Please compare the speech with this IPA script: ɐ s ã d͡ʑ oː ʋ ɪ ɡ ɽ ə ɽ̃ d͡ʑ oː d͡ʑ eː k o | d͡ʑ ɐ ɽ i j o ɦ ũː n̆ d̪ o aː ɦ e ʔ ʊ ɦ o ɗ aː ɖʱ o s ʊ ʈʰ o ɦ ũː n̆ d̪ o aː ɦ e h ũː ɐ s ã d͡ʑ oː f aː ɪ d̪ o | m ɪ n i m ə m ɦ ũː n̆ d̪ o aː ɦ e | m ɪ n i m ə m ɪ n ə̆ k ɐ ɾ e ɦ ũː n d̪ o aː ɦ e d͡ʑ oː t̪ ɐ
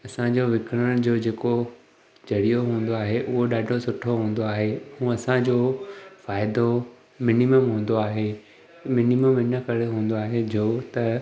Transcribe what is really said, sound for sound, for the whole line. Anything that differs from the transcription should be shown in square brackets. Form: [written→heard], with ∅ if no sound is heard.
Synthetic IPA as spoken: ɐ s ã d͡ʑ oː ʋ ɪ [ɡ→k] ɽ ə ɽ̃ d͡ʑ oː d͡ʑ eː k o | d͡ʑ ɐ ɽ i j o ɦ ũː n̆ d̪ o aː ɦ e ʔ ʊ ɦ o ɗ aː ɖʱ o s ʊ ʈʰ o ɦ ũː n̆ d̪ o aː ɦ e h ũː ɐ s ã d͡ʑ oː f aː ɪ d̪ o | m ɪ n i m ə m ɦ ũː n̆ d̪ o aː ɦ e | m ɪ n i m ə m ɪ n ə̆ k ɐ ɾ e ɦ ũː n d̪ o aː ɦ e d͡ʑ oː t̪ ɐ